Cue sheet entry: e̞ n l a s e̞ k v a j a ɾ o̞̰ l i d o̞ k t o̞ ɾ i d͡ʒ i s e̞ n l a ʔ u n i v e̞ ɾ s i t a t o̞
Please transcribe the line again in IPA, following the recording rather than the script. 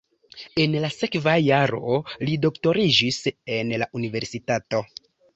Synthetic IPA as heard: e̞ n l a s e̞ k v a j a ɾ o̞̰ l i d o̞ k t o̞ ɾ i d͡ʒ i s e̞ n l a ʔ u n i v e̞ ɾ s i t a t o̞